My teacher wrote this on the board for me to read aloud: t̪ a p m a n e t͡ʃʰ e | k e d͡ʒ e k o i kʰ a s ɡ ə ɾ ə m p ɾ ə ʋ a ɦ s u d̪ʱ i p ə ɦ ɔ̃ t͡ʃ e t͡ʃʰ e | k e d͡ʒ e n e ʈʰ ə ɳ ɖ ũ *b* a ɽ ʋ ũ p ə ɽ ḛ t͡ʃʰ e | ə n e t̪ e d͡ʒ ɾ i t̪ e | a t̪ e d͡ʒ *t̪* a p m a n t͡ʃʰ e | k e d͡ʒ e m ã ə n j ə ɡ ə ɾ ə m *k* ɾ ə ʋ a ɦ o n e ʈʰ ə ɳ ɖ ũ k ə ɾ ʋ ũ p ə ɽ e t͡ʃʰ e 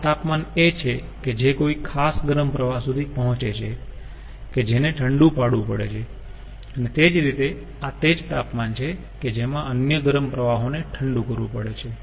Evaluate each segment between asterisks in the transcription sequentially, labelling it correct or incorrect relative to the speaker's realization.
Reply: incorrect, correct, incorrect

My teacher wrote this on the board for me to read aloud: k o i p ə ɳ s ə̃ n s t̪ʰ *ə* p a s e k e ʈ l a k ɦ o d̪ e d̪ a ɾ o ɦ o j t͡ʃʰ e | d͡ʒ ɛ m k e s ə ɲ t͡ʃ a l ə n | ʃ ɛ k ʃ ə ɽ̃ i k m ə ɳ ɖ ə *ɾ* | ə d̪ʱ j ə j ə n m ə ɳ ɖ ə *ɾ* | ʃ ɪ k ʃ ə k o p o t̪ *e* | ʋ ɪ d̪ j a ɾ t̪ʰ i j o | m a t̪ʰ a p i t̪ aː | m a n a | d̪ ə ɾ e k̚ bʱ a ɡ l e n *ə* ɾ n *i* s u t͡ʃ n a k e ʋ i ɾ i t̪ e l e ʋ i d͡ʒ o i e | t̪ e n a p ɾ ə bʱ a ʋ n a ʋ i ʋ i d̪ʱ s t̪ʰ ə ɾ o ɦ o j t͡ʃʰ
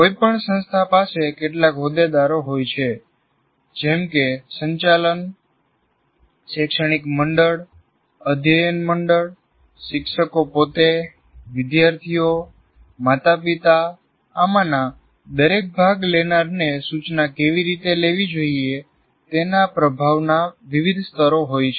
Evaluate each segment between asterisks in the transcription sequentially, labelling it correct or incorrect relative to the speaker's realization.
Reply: incorrect, incorrect, incorrect, correct, incorrect, incorrect

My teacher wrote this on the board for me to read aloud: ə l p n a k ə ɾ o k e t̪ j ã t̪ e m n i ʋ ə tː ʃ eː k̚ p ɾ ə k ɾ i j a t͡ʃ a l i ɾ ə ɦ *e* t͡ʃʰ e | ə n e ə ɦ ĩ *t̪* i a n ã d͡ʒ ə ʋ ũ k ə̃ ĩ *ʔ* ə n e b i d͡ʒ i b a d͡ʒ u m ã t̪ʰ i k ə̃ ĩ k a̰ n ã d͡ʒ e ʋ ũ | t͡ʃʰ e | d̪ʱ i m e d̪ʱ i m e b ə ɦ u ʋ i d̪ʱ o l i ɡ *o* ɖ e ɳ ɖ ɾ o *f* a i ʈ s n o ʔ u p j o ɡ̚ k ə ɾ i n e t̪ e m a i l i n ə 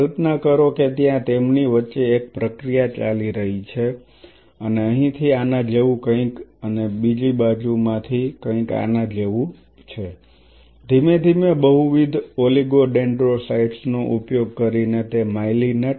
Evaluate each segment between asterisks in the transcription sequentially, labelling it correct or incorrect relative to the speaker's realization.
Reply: incorrect, incorrect, incorrect, correct, incorrect

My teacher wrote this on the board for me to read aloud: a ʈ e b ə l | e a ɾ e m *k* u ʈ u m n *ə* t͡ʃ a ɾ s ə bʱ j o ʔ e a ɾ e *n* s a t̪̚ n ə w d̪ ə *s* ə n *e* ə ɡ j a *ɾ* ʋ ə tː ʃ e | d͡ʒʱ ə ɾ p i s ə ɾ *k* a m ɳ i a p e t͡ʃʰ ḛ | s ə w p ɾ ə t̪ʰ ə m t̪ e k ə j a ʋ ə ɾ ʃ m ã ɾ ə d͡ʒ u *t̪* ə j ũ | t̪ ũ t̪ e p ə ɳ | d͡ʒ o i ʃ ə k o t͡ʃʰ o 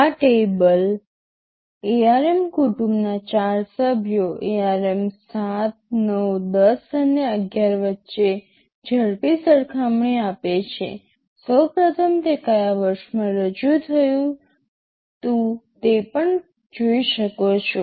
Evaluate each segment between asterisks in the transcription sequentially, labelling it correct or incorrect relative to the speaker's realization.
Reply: correct, incorrect, incorrect, correct, correct, correct, incorrect, incorrect

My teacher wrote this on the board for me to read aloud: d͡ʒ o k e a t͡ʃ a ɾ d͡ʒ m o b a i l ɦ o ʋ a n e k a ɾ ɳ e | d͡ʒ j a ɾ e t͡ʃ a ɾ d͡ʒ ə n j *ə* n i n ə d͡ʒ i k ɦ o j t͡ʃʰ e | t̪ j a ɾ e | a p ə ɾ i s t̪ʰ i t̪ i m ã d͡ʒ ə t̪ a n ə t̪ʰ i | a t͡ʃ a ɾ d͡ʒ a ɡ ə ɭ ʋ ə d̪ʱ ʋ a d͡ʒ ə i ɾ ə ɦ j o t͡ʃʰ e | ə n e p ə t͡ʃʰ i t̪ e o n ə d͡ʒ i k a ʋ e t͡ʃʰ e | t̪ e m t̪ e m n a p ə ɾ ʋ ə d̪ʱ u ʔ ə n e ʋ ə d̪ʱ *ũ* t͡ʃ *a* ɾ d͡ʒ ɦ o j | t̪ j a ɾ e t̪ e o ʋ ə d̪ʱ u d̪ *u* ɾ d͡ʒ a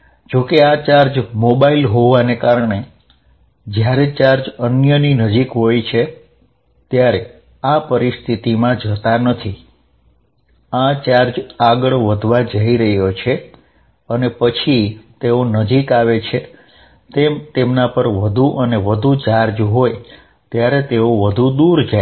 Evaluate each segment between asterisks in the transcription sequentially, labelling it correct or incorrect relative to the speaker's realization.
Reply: correct, incorrect, correct, correct

